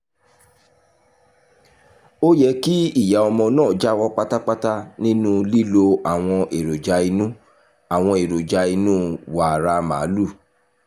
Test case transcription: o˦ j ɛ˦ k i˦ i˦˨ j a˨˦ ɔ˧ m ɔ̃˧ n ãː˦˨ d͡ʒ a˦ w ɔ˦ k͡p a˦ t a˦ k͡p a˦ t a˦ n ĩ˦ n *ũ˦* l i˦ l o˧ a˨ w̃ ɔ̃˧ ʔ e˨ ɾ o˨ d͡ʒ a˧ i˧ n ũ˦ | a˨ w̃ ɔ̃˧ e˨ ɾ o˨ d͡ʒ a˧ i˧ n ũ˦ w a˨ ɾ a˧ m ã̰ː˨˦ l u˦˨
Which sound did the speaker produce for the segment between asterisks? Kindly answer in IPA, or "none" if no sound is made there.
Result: ũ˦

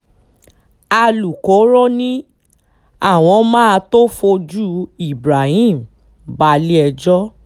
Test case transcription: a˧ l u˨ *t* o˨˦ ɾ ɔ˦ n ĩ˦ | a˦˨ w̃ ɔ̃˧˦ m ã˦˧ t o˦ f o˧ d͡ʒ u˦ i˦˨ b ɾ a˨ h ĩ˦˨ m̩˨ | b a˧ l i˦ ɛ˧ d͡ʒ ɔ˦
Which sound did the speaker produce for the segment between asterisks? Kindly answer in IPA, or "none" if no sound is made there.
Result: k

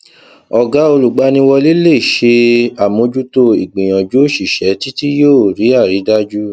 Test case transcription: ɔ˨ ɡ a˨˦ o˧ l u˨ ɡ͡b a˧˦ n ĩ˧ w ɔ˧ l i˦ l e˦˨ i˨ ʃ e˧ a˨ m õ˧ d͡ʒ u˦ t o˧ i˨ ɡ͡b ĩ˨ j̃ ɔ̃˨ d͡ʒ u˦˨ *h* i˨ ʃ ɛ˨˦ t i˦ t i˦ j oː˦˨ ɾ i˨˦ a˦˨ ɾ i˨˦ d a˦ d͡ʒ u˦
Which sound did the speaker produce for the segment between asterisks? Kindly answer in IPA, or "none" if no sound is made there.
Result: ʃ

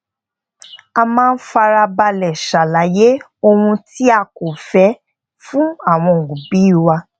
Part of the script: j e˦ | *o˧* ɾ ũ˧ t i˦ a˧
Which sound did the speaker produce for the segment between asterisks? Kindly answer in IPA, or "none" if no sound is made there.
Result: o˧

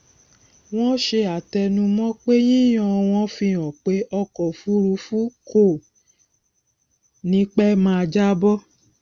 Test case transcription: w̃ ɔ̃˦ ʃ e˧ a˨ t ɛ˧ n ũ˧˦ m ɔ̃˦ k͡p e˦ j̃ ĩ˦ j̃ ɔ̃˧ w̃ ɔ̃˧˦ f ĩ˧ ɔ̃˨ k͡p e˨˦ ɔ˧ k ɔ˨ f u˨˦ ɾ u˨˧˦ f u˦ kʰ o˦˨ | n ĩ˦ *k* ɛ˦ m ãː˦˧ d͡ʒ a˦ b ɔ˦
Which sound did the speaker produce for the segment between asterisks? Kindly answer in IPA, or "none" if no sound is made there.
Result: k͡p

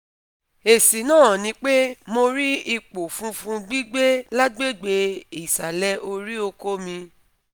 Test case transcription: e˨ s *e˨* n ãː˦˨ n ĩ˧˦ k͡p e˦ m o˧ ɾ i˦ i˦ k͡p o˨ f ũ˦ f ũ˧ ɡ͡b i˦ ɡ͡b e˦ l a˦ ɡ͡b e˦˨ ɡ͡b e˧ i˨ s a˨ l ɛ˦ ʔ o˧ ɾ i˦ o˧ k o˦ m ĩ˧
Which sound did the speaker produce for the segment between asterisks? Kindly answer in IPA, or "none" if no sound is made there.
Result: i˨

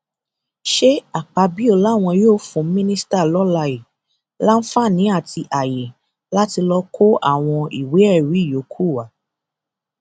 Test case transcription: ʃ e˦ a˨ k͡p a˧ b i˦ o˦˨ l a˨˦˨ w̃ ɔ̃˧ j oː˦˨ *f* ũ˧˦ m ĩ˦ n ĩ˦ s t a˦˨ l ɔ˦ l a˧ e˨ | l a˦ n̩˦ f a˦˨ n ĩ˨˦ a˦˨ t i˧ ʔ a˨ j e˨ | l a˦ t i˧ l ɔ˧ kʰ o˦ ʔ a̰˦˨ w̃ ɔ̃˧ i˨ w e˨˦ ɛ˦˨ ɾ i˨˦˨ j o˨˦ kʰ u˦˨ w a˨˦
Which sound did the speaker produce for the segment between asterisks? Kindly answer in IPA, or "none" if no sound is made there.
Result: f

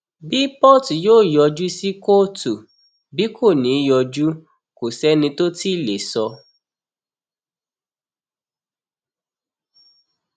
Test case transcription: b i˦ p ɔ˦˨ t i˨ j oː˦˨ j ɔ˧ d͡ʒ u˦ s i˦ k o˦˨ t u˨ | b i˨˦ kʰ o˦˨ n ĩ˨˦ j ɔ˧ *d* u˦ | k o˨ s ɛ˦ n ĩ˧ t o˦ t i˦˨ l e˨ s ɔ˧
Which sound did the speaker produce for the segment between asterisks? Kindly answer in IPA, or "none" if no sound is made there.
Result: d͡ʒ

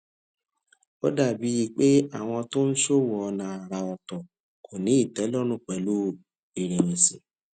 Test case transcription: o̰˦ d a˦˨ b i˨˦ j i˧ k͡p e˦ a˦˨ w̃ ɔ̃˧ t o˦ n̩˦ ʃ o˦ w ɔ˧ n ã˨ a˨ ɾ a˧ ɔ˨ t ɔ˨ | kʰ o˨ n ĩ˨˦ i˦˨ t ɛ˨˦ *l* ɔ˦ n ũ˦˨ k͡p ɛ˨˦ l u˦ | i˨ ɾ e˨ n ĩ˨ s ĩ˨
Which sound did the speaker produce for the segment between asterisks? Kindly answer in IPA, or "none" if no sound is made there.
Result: l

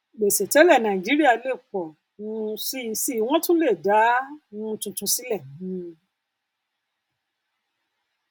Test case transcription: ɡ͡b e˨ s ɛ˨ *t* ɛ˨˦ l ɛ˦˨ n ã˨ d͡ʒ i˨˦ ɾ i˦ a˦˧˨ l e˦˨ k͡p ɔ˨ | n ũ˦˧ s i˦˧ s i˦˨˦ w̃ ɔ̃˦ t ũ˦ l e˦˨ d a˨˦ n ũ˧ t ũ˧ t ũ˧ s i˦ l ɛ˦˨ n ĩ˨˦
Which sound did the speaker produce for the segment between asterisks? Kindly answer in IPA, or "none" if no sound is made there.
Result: t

